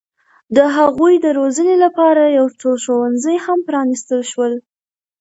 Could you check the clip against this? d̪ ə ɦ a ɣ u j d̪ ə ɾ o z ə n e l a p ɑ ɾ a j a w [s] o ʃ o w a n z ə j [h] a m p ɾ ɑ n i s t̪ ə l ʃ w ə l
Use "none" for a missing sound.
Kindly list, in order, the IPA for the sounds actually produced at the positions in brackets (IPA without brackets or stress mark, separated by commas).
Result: t͡s, h